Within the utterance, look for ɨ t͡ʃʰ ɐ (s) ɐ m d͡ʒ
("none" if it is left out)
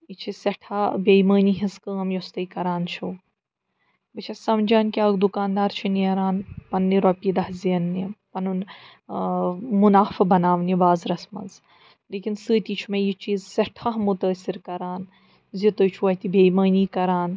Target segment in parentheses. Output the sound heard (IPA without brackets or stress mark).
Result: s